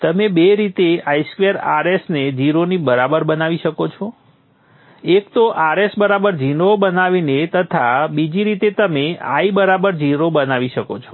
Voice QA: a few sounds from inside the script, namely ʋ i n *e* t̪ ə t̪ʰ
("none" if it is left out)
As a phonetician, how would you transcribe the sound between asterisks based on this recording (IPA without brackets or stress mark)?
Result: e